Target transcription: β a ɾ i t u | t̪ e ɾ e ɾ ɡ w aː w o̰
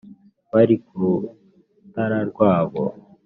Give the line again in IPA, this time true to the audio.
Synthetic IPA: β a ɾ i k u | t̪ a ɾ a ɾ ɡ w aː β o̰